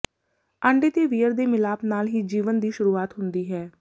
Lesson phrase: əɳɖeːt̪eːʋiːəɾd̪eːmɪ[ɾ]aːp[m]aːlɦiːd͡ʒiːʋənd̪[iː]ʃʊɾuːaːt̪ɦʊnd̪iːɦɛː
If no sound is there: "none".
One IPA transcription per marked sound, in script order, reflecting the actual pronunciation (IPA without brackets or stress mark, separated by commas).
l, n, iː